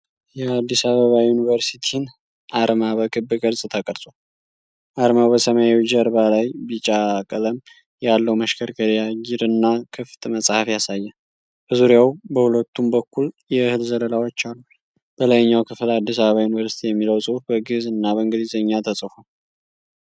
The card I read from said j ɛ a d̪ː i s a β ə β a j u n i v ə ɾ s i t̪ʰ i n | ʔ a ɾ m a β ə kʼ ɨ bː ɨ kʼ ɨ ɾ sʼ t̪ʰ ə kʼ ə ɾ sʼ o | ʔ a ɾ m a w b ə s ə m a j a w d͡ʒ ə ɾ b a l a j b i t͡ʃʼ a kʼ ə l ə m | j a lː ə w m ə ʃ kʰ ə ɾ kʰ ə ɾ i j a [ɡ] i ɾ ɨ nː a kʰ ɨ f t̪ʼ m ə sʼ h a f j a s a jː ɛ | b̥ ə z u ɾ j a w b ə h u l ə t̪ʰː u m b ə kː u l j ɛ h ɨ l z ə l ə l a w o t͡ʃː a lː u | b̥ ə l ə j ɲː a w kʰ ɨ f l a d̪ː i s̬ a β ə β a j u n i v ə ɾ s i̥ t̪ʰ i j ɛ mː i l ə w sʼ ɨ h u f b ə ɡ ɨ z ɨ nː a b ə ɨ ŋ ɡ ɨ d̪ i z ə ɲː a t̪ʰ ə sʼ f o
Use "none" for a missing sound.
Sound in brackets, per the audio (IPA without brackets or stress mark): ɡ